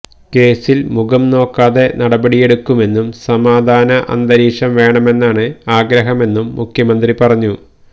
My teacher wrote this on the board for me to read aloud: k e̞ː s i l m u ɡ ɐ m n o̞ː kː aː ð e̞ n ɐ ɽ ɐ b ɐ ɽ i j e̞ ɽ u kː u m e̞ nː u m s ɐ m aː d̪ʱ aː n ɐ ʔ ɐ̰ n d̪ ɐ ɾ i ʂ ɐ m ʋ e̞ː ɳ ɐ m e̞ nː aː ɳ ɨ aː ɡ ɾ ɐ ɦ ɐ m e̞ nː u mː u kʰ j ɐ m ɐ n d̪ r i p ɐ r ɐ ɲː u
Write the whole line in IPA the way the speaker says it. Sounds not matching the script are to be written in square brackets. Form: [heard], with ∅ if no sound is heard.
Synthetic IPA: k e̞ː s i l m u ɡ ɐ m n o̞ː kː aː ð e̞ n ɐ ɽ ɐ b ɐ ɽ i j e̞ ɽ u kː u m e̞ nː u m s ɐ m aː d̪ʱ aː n ɐ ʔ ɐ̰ n d̪ ɐ ɾ [iː] ʂ ɐ m ʋ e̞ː ɳ ɐ m e̞ nː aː ɳ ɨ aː ɡ ɾ ɐ ɦ ɐ m e̞ nː u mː u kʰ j ɐ m ɐ n d̪ r i p ɐ r ɐ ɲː u